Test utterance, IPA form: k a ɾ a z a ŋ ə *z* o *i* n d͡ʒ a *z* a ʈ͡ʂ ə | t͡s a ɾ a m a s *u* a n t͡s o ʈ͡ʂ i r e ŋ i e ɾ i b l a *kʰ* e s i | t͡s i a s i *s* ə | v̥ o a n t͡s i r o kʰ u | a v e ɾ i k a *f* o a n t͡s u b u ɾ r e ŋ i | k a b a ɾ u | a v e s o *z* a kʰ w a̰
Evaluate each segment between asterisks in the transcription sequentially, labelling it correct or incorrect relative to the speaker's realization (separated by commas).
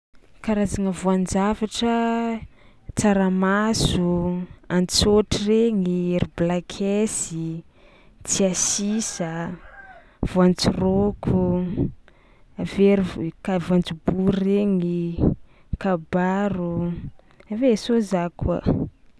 incorrect, incorrect, incorrect, correct, correct, correct, incorrect, correct